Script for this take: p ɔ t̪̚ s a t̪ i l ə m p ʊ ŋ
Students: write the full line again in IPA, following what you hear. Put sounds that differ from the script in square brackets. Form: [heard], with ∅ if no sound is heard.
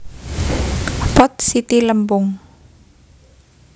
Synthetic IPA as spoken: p ɔ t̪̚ s [i] t̪ i l ə m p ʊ ŋ